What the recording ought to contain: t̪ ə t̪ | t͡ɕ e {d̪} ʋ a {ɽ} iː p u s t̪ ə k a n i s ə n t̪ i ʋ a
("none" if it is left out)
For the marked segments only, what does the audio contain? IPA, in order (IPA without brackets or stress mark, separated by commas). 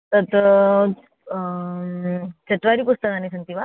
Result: t̪, ɾ